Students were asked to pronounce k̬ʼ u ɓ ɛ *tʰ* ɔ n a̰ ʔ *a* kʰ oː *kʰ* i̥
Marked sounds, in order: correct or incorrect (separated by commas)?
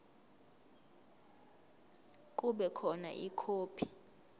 incorrect, incorrect, incorrect